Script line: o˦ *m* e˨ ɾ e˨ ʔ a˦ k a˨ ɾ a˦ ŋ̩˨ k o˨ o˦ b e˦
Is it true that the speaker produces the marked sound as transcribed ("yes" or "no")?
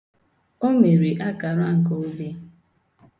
yes